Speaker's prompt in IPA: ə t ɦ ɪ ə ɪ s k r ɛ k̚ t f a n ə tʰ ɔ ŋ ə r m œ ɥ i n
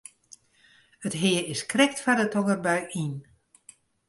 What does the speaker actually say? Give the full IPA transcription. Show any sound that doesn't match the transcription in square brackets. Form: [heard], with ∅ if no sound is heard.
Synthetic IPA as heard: ə t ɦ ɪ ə ɪ s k r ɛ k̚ t f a [d] ə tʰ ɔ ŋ ə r [b] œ ɥ i n